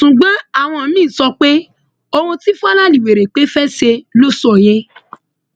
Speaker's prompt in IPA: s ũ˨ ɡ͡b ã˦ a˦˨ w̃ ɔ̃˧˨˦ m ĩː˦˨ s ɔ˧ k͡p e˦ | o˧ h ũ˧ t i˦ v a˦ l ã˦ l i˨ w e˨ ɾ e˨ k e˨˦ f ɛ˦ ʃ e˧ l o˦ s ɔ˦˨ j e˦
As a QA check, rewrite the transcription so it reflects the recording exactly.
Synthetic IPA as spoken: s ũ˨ ɡ͡b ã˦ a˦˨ w̃ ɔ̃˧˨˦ m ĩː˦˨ s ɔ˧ k͡p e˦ | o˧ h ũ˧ t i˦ f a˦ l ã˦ l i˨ w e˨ ɾ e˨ k͡p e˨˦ f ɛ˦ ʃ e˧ l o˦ s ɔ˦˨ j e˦

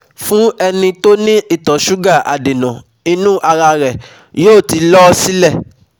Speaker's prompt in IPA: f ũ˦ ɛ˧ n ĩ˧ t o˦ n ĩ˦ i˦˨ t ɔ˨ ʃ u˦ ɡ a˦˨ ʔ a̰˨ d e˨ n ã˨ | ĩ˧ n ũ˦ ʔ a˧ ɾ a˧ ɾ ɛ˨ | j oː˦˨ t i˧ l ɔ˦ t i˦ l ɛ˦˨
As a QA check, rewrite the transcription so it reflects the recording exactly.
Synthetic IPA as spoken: f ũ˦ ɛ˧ n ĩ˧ t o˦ n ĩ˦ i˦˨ t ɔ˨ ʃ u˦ ɡ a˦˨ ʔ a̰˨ d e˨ n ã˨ | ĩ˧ n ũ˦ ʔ a˧ ɾ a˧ ɾ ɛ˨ | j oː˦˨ t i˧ l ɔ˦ s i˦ l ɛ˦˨

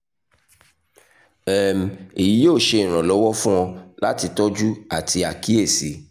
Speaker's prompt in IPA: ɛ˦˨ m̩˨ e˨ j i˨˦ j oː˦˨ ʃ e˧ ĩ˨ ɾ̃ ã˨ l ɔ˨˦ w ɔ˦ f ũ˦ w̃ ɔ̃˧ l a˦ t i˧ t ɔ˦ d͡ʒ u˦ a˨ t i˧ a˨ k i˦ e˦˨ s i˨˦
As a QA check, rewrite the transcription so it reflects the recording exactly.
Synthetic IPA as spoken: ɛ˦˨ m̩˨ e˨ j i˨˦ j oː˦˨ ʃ e˧ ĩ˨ ɾ̃ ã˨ l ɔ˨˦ w ɔ˦ f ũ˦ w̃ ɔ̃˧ l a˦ t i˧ t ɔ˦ d͡ʒ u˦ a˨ t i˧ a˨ k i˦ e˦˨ s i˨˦

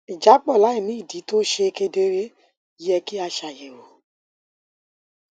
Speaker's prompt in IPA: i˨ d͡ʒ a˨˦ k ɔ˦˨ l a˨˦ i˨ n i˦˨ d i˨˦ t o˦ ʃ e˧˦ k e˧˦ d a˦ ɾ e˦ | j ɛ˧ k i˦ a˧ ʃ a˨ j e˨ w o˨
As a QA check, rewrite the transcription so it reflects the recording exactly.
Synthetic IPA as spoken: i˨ d͡ʒ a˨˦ k͡p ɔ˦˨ l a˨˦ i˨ n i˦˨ d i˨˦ t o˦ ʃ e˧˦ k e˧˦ d e˦ ɾ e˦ | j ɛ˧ k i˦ a˧ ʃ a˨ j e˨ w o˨

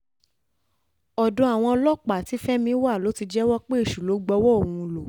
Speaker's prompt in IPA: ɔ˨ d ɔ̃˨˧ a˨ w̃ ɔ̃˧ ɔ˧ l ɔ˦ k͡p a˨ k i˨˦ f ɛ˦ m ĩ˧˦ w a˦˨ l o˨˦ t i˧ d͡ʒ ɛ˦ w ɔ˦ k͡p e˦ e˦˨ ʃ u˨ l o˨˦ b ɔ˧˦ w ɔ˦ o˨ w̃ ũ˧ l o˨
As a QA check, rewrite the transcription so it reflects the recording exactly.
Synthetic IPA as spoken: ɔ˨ d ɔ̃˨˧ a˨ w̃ ɔ̃˧ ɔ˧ l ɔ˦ k͡p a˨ t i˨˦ f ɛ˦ m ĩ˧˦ w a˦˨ l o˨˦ t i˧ d͡ʒ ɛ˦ w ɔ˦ k͡p e˦ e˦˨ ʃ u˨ l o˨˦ ɡ͡b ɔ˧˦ w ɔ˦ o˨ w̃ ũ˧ l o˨

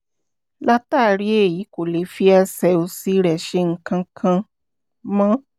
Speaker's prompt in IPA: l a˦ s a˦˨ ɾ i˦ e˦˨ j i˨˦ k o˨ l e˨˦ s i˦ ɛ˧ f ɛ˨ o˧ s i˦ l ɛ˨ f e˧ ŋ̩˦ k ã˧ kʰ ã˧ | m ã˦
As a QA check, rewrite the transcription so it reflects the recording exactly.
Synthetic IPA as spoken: l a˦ t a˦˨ ɾ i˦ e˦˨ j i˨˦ k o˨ l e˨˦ f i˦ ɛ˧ s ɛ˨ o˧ s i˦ ɾ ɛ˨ ʃ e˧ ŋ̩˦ k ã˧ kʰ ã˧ | m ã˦

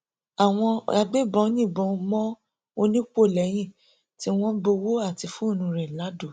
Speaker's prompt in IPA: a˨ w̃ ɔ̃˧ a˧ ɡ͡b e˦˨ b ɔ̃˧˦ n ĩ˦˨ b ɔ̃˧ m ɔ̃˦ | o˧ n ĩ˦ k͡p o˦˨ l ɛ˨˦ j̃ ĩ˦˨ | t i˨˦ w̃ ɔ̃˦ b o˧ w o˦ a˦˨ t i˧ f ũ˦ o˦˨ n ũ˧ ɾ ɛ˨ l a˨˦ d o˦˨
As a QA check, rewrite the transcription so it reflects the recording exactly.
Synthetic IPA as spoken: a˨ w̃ ɔ̃˧ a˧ ɡ͡b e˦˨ b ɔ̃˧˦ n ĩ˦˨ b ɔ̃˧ m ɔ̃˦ | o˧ n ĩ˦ k͡p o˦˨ l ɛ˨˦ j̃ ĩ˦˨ | t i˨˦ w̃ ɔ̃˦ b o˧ w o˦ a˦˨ t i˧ f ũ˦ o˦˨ n ũ˧ ɾ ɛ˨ l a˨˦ d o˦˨

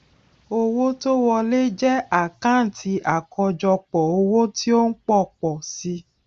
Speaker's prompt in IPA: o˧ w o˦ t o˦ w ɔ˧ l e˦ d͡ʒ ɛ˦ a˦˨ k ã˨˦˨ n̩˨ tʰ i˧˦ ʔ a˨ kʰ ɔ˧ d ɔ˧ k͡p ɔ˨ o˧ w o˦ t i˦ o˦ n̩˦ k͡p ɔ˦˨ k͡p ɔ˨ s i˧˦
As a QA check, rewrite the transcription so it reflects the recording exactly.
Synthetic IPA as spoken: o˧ w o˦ t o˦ w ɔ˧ l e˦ d͡ʒ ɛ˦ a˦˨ k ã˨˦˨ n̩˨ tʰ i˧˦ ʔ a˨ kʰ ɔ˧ d͡ʒ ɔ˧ k͡p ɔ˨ o˧ w o˦ t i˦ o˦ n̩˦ k͡p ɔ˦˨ k͡p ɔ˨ s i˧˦

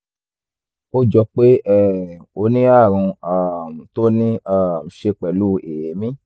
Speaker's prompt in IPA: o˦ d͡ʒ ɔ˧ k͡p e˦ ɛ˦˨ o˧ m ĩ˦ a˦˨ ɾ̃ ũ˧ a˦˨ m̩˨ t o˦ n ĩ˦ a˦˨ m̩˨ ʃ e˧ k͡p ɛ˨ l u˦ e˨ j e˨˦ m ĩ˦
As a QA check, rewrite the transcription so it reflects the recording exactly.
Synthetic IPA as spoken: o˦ d͡ʒ ɔ˧ k͡p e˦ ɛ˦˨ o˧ n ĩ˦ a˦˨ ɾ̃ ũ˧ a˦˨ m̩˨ t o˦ n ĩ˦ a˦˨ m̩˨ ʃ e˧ k͡p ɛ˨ l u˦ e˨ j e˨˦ m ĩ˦

